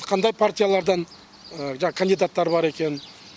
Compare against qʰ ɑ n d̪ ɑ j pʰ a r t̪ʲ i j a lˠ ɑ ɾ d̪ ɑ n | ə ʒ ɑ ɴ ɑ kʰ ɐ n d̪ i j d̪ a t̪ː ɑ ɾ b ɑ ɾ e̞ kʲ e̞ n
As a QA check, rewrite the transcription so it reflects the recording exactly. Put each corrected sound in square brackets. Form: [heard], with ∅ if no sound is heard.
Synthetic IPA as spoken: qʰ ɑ n d̪ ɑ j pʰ a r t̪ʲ i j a lˠ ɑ ɾ d̪ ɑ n | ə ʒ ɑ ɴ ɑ kʰ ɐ n d̪ i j d̪ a t̪ː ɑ ɾ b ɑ ɾ e̞ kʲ e̞ n